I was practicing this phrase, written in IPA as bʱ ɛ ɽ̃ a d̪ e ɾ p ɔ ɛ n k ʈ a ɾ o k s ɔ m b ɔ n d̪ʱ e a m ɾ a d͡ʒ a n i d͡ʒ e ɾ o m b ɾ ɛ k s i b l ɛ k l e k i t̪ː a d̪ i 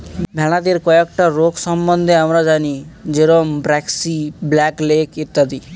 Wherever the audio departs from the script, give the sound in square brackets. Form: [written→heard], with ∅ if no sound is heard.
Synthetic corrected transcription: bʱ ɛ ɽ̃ a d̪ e ɾ [p→k] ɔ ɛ [n→∅] k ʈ a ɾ o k s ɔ m b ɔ n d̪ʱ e a m ɾ a d͡ʒ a n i d͡ʒ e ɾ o m b ɾ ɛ k s i b l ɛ k l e k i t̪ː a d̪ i